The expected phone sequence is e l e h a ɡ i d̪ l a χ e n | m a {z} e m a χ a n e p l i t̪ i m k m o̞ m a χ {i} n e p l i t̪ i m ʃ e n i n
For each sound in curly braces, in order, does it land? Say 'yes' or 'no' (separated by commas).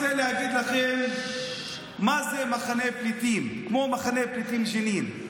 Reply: yes, no